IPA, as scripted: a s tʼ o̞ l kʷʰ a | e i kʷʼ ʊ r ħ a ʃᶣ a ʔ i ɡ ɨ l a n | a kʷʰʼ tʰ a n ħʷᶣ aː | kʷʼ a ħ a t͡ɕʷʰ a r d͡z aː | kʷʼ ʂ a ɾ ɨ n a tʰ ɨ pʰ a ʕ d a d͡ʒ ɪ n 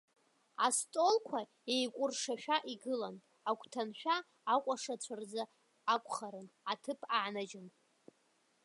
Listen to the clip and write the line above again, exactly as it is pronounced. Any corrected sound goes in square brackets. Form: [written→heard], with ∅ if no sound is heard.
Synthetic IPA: a s tʼ o̞ l kʷʰ a | e [i→j] kʷʼ ʊ r [ħ→ʂ] a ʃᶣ a ʔ i ɡ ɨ l a n | a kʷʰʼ tʰ a n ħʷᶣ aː | kʷʼ a [ħ→ʂ] a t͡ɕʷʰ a r d͡z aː | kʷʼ [ʂ→χ] a ɾ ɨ n a tʰ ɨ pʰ a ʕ [d→n] a d͡ʒ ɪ n